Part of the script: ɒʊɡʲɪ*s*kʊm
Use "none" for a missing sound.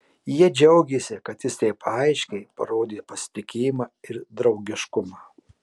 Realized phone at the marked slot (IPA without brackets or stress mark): ʃ